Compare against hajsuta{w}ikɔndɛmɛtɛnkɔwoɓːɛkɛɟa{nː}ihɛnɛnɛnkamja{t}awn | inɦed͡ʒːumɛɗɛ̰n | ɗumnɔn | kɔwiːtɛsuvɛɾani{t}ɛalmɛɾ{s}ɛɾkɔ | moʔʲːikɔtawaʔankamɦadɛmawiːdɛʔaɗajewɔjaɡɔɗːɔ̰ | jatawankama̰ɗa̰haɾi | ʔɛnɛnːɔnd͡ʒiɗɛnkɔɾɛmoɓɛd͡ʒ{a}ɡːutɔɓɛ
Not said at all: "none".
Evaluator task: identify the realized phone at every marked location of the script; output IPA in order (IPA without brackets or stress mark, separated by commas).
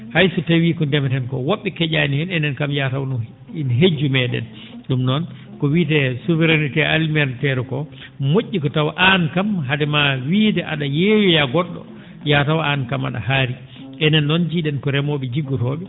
w, n, t, t, t, i